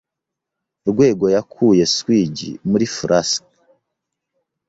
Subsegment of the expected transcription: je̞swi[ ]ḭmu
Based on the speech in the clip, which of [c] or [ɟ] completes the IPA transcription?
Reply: ɟ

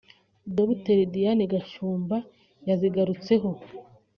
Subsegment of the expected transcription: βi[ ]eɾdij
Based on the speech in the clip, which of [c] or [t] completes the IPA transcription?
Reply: t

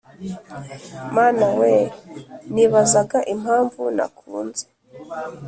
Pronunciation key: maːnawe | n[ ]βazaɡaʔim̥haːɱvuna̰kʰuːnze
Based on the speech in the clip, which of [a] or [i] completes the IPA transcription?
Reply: i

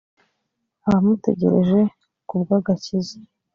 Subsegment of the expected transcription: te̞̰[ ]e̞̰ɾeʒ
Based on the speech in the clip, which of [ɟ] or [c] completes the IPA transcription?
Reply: ɟ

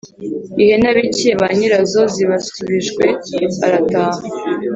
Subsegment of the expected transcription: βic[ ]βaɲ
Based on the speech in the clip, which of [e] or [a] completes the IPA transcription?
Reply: e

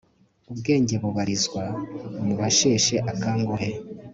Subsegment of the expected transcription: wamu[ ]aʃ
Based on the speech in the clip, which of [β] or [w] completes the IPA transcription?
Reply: β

